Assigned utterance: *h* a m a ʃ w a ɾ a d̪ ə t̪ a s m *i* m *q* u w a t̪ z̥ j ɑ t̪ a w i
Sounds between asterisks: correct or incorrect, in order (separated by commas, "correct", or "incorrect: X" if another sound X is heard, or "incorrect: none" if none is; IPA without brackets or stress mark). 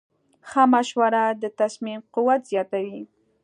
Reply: incorrect: x, correct, correct